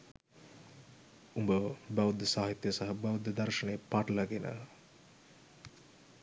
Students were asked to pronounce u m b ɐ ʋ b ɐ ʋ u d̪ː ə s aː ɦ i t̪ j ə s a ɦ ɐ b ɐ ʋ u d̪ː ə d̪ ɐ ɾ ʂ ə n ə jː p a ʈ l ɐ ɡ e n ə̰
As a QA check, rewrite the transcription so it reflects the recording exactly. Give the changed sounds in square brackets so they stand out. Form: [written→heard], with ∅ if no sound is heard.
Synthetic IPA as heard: u m b [ɐ→ə] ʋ b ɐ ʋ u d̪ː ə s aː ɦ i t̪ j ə s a ɦ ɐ b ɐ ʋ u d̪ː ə d̪ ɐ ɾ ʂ ə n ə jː p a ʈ l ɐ ɡ e n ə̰